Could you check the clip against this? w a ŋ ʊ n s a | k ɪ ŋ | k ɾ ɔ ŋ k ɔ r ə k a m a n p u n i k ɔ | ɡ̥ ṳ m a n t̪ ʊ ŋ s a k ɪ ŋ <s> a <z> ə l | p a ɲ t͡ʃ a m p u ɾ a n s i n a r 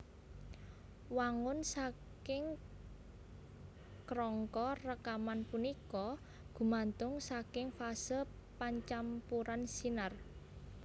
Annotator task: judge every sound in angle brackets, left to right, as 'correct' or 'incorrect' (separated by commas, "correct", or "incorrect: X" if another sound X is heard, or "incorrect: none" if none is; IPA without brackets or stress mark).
incorrect: f, incorrect: s